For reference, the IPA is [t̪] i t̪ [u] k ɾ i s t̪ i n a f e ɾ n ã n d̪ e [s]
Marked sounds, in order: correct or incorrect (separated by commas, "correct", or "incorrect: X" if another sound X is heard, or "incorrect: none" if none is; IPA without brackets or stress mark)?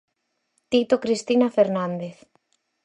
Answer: correct, incorrect: o, incorrect: θ